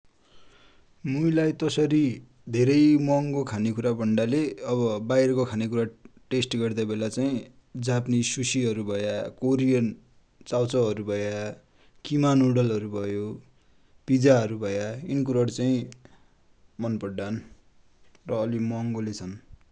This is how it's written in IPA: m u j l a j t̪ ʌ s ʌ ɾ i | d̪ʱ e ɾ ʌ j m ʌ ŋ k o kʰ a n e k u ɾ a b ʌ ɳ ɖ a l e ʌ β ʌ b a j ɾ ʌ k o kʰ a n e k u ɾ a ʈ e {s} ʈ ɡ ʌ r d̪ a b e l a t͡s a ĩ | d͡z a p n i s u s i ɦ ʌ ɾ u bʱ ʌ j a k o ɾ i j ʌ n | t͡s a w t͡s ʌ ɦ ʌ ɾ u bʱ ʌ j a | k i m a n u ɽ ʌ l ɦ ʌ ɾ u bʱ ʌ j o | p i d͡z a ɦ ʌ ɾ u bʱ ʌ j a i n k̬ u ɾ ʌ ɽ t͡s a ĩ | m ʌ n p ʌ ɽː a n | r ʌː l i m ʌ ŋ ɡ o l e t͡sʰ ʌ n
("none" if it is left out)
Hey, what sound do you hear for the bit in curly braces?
s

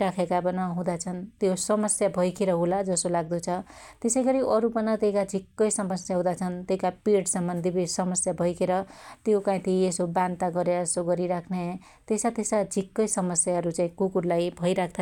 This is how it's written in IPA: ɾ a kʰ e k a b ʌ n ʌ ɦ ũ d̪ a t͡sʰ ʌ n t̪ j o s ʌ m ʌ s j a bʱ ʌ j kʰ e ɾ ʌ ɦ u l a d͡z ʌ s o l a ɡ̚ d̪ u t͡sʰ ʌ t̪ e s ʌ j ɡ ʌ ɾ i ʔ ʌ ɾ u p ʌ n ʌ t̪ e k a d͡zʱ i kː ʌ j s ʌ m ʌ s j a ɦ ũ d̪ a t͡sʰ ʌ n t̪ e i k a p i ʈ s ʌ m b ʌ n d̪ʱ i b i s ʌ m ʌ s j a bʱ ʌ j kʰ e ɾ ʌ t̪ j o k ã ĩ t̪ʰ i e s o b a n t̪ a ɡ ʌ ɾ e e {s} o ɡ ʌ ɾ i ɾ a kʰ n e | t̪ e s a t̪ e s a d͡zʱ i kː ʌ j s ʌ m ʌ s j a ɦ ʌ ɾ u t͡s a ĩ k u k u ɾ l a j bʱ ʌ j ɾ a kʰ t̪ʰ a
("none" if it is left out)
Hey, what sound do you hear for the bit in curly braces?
s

